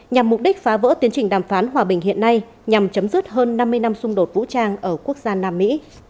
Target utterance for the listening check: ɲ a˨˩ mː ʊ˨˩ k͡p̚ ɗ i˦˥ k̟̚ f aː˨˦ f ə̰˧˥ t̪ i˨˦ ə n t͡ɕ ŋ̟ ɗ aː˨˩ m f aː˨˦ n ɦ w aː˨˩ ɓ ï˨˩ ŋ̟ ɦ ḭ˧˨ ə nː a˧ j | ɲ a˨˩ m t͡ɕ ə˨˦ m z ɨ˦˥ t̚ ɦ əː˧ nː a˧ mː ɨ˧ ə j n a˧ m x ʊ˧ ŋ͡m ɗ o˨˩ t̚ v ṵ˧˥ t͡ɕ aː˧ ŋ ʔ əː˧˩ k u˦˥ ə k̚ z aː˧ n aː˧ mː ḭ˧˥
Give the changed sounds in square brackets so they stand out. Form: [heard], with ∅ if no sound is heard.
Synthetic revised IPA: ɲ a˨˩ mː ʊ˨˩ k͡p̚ ɗ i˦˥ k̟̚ f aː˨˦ [v] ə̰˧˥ t̪ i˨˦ ə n t͡ɕ ŋ̟ ɗ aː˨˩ m f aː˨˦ n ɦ w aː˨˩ ɓ ï˨˩ ŋ̟ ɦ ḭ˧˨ ə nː a˧ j | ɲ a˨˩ m t͡ɕ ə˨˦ m z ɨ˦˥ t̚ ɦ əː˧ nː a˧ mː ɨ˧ ə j n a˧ m [s] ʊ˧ ŋ͡m ɗ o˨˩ t̚ v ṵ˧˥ t͡ɕ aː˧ ŋ ʔ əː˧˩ k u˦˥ ə k̚ z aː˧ n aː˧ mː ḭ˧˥